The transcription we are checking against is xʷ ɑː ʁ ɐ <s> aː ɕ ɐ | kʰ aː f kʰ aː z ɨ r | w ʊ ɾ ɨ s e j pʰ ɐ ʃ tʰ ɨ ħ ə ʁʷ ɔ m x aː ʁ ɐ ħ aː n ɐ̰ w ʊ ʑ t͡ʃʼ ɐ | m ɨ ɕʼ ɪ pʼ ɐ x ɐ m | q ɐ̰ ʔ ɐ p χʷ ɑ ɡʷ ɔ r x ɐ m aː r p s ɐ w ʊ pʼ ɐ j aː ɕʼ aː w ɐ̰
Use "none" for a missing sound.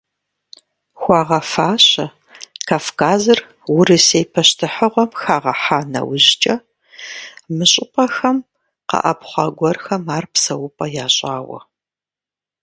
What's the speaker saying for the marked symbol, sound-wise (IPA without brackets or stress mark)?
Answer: f